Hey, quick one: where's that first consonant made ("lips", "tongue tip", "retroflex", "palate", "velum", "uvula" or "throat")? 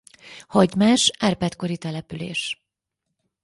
throat